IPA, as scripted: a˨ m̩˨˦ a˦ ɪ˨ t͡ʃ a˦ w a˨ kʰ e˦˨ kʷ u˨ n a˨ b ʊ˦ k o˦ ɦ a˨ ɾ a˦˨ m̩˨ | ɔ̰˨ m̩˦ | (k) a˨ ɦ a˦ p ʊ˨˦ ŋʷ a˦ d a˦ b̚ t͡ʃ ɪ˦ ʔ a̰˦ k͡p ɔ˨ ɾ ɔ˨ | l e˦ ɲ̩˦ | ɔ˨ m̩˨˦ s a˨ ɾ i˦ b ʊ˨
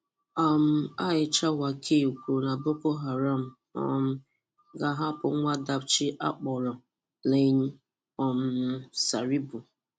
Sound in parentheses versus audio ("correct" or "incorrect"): incorrect